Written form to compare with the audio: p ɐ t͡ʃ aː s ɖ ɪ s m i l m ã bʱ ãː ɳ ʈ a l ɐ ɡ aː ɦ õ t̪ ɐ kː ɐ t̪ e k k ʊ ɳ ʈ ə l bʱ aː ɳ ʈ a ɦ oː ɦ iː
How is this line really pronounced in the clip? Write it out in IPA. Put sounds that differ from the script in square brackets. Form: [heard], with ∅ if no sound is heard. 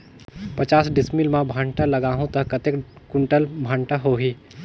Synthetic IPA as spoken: p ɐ t͡ʃ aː s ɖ ɪ s m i l m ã bʱ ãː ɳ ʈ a l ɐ ɡ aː ɦ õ t̪ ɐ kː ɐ t̪ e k k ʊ ɳ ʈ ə l bʱ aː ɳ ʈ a ɦ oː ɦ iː